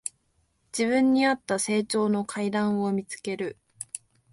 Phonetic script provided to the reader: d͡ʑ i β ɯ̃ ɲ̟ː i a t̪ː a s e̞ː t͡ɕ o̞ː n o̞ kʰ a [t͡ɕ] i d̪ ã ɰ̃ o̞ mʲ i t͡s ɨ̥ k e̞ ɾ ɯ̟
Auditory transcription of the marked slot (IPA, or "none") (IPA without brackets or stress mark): none